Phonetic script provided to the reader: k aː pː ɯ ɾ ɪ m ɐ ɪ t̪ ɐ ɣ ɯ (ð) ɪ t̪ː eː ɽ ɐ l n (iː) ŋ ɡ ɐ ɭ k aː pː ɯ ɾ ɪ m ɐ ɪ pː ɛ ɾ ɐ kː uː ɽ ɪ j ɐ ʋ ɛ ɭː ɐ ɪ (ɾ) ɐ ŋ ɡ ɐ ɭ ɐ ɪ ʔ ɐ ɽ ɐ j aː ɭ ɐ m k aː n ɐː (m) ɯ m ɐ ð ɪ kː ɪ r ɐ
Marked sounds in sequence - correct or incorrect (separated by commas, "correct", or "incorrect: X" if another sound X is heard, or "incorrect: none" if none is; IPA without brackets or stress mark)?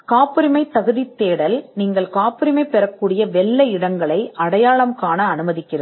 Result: correct, correct, incorrect: ɽ, incorrect: n